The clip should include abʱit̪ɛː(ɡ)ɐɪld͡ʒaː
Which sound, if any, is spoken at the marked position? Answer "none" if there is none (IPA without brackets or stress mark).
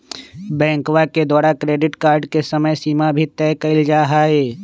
k